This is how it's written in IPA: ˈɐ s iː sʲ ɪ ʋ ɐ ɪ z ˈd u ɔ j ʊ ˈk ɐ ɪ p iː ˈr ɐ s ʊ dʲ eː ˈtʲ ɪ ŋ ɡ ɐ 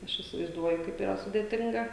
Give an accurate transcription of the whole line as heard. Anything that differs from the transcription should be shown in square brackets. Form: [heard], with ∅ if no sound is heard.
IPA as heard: ˈɐ [ʃ] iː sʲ ɪ ʋ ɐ ɪ z ˈd u ɔ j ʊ ˈk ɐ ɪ p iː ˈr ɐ s ʊ dʲ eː ˈtʲ ɪ ŋ ɡ ɐ